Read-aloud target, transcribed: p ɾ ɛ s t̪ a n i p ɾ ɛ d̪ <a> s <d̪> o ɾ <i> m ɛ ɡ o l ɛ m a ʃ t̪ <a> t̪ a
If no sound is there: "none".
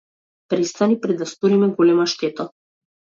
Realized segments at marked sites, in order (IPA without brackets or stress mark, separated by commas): a, t̪, i, ɛ